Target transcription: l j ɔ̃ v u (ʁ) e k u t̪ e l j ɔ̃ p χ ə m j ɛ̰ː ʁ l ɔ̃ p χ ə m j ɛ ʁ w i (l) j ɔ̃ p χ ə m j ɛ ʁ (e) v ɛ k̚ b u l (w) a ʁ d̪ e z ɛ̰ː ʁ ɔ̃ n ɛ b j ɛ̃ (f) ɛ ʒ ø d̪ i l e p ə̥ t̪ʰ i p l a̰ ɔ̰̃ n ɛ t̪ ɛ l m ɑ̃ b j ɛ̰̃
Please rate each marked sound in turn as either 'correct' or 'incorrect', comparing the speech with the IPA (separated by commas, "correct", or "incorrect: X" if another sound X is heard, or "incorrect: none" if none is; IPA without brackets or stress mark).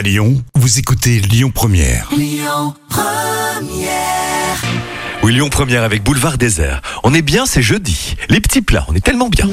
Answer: incorrect: z, correct, incorrect: a, incorrect: v, incorrect: s